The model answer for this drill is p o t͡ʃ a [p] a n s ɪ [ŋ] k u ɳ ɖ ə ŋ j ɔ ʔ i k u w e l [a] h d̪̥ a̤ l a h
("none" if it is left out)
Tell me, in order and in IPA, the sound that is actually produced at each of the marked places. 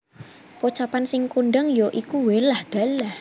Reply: p, ŋ, a

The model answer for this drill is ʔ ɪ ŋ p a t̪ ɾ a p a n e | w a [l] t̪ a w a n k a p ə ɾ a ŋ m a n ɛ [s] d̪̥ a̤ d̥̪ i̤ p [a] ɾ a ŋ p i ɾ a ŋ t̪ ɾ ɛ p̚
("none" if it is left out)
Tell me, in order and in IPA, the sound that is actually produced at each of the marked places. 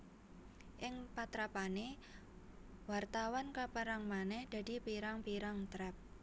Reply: r, h, i

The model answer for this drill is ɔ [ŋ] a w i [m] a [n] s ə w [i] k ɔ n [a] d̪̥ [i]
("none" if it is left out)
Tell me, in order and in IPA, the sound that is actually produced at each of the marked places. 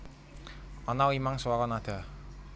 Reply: n, m, ŋ, a, a, a

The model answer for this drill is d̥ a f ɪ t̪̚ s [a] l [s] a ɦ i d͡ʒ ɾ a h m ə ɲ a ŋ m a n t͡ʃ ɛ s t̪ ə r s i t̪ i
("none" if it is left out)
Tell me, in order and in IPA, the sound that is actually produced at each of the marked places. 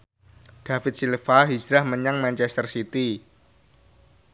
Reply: i, f

